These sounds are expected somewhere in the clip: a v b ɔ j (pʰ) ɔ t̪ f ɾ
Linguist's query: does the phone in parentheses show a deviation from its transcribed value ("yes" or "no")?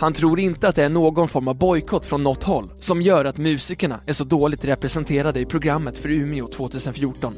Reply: yes